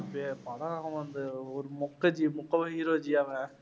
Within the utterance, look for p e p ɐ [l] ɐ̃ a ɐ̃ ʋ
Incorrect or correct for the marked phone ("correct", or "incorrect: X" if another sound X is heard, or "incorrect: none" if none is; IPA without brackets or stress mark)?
incorrect: ɽ